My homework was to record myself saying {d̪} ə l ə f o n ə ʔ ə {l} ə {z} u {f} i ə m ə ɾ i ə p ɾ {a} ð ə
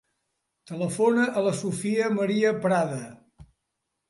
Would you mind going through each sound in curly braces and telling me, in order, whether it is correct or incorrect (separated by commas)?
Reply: incorrect, correct, incorrect, correct, correct